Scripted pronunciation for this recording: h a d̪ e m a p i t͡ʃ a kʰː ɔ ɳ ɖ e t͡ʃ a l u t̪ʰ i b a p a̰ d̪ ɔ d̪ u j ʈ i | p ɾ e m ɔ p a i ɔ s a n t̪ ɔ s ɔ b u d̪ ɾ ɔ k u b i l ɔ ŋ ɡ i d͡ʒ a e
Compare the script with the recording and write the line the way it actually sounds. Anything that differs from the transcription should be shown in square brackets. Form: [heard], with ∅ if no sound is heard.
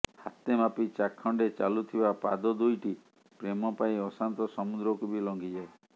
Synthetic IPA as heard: h a [t̪] e m a p i t͡ʃ a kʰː ɔ ɳ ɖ e t͡ʃ a l u t̪ʰ i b a p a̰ d̪ ɔ d̪ u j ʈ i | p ɾ e m ɔ p a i ɔ s a n t̪ ɔ s ɔ [m] u d̪ ɾ ɔ k u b i l ɔ ŋ ɡ i d͡ʒ a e

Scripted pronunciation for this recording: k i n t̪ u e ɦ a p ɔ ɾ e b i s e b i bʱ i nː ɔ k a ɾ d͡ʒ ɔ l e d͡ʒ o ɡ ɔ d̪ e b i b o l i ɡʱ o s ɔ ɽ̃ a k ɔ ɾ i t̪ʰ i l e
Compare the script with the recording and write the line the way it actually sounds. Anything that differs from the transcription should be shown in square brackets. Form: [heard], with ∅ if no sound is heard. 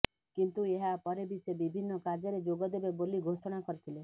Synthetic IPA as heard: k i n t̪ u e ɦ a p ɔ ɾ e b i s e b i bʱ i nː ɔ k a ɾ d͡ʒ ɔ [ɾ] e d͡ʒ o ɡ ɔ d̪ e b [e] b o l i ɡʱ o s ɔ ɽ̃ a k ɔ ɾ i t̪ʰ i l e

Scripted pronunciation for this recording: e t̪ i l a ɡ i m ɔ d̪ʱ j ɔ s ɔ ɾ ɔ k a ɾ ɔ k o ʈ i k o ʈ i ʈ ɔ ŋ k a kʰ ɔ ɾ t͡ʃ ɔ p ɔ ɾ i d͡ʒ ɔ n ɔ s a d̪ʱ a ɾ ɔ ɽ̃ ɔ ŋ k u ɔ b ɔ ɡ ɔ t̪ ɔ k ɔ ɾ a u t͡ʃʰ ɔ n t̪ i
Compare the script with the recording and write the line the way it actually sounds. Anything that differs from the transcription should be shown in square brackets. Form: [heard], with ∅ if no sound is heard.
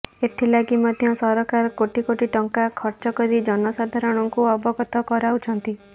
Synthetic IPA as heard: e [t̪ʰ] i l a ɡ i m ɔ d̪ʱ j ɔ s ɔ ɾ ɔ k a ɾ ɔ k o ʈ i k o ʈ i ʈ ɔ ŋ k a kʰ ɔ ɾ t͡ʃ ɔ [k] ɔ ɾ i d͡ʒ ɔ n ɔ s a d̪ʱ a ɾ ɔ ɽ̃ ɔ ŋ k u ɔ b ɔ ɡ ɔ t̪ ɔ k ɔ ɾ a u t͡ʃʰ ɔ n t̪ i

